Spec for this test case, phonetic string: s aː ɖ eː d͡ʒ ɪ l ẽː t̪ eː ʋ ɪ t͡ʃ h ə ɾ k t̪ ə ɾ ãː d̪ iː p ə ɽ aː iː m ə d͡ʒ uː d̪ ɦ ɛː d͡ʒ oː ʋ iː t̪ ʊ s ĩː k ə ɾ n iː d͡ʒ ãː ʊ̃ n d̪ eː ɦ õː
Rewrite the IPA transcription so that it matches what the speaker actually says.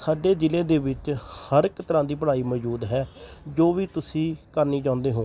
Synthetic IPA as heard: s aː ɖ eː d͡ʒ ɪ l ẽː d̪ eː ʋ ɪ t͡ʃ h ə ɾ k t̪ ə ɾ ãː d̪ iː p ə ɽ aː iː m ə d͡ʒ uː d̪ ɦ ɛː d͡ʒ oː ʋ iː t̪ ʊ s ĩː k ə ɾ n iː d͡ʒ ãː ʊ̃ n d̪ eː ɦ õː